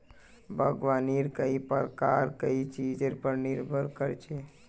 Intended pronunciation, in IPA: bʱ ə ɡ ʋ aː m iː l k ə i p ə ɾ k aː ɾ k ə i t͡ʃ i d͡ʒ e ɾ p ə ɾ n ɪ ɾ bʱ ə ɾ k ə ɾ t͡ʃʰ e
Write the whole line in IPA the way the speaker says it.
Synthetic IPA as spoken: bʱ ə ɡ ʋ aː n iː ɾ k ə i p ə ɾ k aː ɾ k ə i t͡ʃ i d͡ʒ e ɾ p ə ɾ n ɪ ɾ bʱ ə ɾ k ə ɾ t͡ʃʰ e